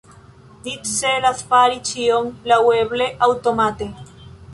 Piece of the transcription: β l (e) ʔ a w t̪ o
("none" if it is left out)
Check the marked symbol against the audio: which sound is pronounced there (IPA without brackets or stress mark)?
e